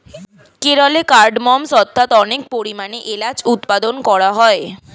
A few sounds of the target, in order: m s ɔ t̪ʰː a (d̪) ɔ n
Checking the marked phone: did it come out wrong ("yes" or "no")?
yes